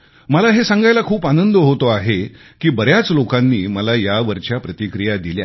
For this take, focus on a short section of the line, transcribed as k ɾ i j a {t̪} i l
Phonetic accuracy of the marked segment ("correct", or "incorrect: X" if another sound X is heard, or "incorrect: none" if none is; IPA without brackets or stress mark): incorrect: d̪